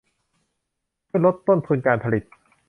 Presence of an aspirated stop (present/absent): present